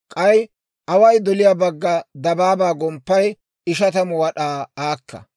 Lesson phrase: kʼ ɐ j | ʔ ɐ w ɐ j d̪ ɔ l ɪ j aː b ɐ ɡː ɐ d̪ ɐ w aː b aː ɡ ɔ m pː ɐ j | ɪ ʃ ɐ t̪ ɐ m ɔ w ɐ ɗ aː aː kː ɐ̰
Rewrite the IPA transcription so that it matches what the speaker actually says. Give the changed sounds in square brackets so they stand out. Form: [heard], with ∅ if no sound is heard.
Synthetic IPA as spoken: kʼ ɐ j | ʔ ɐ w ɐ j d̪ ɔ l ɪ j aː b ɐ ɡː ɐ d̪ ɐ [b] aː b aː ɡ ɔ m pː ɐ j | ɪ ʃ ɐ t̪ ɐ m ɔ w ɐ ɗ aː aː kː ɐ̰